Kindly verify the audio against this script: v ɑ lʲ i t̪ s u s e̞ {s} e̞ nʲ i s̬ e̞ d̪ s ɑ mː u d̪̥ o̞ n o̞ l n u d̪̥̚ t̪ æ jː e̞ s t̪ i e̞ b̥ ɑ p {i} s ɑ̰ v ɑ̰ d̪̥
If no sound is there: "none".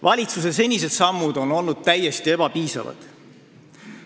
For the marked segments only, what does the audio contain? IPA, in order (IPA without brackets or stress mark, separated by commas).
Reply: s, iː